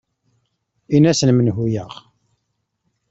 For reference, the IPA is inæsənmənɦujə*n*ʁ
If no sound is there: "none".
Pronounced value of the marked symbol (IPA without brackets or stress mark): none